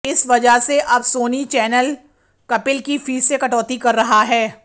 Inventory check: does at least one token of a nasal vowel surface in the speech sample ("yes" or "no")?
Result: no